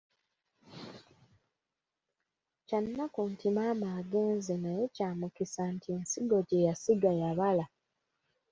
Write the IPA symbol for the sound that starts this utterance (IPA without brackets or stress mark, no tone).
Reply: c